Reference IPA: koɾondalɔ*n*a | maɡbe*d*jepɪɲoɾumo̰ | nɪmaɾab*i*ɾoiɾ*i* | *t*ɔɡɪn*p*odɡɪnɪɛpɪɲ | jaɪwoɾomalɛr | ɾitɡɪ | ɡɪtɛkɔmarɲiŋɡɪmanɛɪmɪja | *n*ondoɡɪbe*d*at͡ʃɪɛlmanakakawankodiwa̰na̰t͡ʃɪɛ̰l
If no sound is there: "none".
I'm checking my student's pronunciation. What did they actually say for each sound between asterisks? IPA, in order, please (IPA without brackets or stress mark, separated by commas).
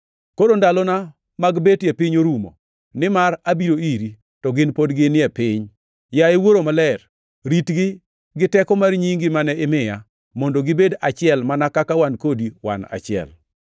n, t, i, i, t, p, m, d